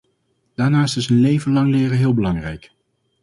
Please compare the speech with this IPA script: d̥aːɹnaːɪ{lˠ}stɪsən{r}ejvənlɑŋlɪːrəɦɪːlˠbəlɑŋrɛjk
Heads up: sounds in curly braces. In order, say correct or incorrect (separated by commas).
incorrect, incorrect